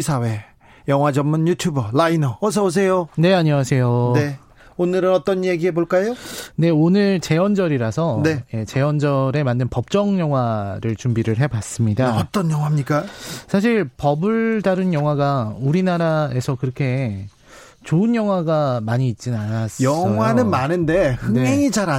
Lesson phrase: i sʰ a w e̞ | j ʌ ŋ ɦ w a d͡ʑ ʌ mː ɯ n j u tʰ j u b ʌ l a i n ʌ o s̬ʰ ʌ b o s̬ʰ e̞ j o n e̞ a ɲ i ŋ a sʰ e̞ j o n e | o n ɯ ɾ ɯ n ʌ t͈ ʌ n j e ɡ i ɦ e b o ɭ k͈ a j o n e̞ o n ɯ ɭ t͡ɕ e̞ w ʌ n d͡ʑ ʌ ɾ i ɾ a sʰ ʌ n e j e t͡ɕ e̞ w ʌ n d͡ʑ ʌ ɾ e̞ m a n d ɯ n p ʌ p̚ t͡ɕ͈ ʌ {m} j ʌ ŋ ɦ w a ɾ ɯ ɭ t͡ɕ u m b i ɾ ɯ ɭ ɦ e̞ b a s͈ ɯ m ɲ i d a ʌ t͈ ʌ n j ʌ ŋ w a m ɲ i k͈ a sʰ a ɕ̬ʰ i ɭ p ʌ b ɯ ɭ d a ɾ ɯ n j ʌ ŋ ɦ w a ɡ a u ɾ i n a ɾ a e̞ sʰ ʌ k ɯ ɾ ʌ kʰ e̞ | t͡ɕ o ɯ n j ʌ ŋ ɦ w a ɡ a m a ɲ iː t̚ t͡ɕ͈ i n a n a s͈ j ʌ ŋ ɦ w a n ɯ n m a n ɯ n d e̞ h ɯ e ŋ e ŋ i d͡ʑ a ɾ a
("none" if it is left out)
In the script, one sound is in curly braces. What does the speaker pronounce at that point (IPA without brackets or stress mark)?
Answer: ŋ